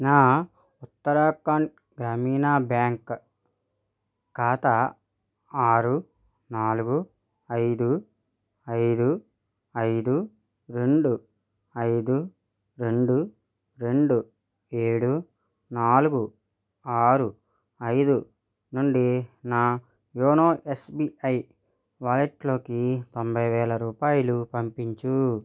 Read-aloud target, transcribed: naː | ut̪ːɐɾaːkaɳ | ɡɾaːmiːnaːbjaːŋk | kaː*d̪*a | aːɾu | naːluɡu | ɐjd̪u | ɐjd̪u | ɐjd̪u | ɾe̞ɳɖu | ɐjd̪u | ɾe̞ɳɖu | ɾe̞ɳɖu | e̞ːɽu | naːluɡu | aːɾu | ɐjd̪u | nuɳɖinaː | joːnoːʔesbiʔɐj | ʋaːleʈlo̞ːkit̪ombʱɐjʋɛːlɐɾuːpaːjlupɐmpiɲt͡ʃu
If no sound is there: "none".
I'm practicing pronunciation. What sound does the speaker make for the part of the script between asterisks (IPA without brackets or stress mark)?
t̪